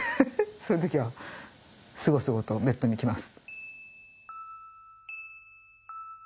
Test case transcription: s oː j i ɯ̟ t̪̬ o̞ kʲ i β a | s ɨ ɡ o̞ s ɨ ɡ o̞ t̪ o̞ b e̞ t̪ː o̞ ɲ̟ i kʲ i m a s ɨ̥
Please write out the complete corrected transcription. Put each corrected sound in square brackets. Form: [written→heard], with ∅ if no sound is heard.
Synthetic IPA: s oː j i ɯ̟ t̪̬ o̞ kʲ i β a | s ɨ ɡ o̞ s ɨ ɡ o̞ t̪ o̞ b e̞ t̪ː o̞ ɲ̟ i kʲ i m a s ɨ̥